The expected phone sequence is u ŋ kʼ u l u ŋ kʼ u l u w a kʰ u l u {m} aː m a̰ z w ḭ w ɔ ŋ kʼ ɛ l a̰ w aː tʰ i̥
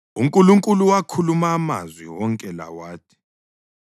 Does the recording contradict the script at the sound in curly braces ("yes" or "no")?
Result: no